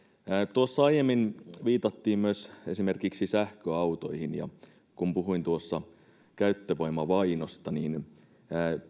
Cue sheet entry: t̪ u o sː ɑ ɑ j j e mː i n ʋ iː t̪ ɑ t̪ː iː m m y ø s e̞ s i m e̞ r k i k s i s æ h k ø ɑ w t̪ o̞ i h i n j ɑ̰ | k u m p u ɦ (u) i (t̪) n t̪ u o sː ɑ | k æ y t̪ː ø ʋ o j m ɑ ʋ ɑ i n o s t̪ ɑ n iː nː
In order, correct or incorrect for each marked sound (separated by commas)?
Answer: correct, incorrect